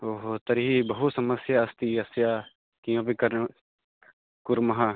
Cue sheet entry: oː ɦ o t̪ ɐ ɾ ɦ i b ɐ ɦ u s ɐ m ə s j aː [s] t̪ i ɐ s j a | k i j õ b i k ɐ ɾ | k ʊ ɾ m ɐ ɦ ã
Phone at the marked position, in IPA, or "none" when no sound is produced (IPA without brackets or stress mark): s